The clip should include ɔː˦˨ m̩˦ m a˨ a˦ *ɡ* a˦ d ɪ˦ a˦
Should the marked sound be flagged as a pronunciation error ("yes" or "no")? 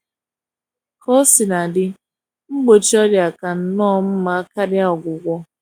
yes